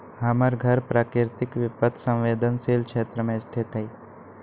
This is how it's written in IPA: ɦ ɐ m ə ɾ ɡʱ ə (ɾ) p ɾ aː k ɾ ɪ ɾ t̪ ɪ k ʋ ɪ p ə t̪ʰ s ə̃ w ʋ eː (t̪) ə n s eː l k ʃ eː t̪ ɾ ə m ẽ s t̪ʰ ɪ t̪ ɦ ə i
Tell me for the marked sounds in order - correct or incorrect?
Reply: correct, incorrect

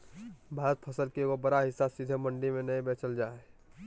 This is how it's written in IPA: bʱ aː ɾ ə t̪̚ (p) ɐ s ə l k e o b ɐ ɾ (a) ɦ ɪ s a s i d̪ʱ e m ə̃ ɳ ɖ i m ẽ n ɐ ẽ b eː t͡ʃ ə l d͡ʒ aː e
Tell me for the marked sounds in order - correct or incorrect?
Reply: incorrect, correct

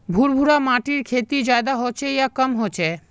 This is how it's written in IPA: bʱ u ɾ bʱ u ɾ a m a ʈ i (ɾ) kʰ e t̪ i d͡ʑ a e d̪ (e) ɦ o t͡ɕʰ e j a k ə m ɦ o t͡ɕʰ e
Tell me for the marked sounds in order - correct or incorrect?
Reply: correct, incorrect

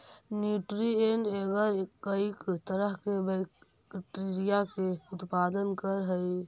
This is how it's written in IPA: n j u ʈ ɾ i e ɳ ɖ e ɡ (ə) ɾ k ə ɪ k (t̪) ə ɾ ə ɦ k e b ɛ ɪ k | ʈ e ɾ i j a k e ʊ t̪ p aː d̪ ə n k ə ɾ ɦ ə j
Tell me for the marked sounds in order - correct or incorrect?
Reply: correct, correct

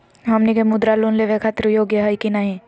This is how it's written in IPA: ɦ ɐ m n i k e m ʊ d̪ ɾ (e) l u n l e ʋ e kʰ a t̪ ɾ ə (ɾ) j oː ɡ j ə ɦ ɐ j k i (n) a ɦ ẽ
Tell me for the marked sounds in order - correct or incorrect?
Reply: incorrect, incorrect, correct

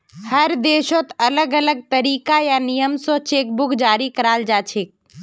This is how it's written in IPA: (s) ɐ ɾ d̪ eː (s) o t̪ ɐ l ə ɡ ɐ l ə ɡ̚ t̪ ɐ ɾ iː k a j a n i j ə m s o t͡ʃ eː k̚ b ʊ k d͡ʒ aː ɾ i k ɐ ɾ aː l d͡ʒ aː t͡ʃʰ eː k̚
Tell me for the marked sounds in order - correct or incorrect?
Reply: incorrect, incorrect

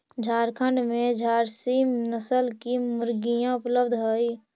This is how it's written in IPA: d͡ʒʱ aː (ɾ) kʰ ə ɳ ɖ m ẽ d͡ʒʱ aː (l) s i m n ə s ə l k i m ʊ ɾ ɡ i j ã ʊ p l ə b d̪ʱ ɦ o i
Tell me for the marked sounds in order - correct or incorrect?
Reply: correct, incorrect

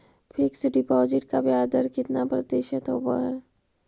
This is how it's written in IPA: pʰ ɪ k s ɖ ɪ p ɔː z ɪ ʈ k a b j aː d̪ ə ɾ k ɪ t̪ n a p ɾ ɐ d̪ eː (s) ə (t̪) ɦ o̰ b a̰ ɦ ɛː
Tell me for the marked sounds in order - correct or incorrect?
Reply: incorrect, correct

